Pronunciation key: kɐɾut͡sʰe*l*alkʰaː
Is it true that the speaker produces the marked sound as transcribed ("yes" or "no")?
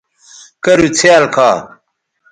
no